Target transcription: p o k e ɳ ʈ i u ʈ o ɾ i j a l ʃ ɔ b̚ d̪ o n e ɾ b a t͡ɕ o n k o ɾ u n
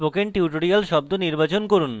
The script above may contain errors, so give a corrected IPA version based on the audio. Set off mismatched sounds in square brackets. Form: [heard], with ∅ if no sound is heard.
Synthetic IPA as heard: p o k e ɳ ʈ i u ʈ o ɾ i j a l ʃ ɔ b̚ d̪ o n [i] ɾ b a t͡ɕ o n k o ɾ u n

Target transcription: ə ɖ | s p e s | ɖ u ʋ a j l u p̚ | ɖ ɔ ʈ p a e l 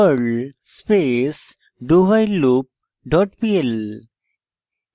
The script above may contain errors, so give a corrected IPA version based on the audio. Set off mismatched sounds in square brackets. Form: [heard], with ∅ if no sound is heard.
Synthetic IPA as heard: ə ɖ | s p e s | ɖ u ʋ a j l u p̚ | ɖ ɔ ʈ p [i] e l

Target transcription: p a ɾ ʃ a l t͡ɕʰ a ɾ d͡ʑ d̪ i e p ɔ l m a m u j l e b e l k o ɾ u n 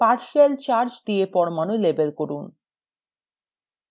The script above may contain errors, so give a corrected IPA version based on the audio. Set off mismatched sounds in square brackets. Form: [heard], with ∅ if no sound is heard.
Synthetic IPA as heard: p a ɾ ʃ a l [t͡ɕ] a ɾ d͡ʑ d̪ i e p ɔ [ɾ] m a [n] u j l e b e l k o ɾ u n

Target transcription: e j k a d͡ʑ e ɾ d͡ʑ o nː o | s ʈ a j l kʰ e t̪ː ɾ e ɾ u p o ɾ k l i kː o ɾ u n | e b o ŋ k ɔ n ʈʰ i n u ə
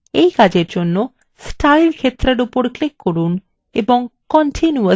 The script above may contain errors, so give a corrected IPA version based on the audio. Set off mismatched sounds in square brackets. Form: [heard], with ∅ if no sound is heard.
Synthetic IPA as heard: e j k a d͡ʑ e ɾ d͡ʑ o nː o | s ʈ a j l kʰ e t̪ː ɾ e ɾ u p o ɾ k l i kː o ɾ u n | e b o ŋ k ɔ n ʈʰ i n u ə

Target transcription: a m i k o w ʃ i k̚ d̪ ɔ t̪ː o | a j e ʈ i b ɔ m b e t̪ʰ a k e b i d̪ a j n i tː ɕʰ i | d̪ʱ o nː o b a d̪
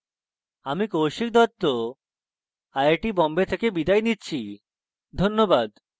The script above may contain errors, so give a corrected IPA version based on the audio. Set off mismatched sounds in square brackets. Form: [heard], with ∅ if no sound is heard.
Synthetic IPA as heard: a m i k o w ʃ i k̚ d̪ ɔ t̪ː o | a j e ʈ i b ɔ m b e t̪ʰ [e] k e b i d̪ a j n i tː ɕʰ i | d̪ʱ o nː o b a d̪

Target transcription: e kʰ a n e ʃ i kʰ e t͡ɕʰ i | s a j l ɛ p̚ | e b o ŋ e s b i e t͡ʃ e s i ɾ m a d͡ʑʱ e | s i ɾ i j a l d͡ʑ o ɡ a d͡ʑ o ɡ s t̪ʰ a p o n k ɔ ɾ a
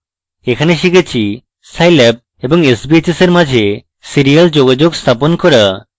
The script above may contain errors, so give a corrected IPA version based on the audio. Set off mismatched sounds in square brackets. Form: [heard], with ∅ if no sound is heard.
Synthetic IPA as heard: e kʰ a n e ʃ i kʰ e t͡ɕʰ i | s a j l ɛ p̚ | e b o ŋ e s b i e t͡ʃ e s [e] ɾ m a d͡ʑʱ e | s i ɾ i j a l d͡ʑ o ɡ a d͡ʑ o ɡ s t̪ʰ a p o n k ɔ ɾ a

